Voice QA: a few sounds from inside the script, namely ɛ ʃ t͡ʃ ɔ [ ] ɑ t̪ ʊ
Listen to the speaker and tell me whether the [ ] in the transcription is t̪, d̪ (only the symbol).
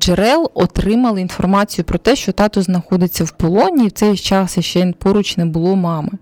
t̪